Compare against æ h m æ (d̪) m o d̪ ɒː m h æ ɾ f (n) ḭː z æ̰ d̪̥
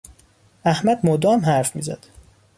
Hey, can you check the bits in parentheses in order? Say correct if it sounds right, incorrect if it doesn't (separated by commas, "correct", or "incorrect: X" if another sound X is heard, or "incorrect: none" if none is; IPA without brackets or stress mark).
correct, incorrect: m